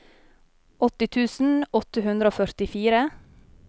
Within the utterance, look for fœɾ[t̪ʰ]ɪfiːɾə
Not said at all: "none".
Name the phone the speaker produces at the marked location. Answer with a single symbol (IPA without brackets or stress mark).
t̪